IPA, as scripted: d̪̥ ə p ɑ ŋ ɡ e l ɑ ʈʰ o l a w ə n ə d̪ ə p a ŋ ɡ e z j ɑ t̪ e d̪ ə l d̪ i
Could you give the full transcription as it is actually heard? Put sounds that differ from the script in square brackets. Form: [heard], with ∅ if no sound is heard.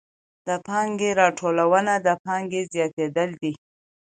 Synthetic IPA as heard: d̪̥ ə p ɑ ŋ ɡ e [ɾ] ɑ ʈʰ o l a w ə n [a] d̪ ə p [ɑ] ŋ ɡ e z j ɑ t̪ e d̪ ə l d̪ i